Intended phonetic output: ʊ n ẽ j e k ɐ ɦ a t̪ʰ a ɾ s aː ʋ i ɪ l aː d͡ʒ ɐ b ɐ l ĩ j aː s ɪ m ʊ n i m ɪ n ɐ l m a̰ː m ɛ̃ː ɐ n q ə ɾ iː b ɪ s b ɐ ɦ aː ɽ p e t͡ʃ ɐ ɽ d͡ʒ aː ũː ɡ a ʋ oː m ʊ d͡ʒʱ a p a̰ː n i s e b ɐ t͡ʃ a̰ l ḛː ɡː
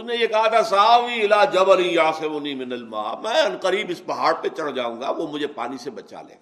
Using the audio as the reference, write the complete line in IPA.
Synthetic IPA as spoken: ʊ n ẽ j e k ɐ ɦ a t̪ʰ a s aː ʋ i ɪ l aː d͡ʒ ɐ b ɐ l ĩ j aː s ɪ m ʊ n i m ɪ n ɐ l m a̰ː m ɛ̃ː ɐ n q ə ɾ iː b ɪ s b ɐ ɦ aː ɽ p e t͡ʃ ɐ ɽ d͡ʒ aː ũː ɡ a ʋ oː m ʊ d͡ʒʱ e p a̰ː n i s e b ɐ t͡ʃ a̰ l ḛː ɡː